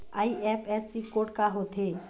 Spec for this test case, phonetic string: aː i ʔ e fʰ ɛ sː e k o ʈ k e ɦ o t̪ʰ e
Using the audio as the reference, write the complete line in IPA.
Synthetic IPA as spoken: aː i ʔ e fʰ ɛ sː i k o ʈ k a ɦ o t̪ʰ e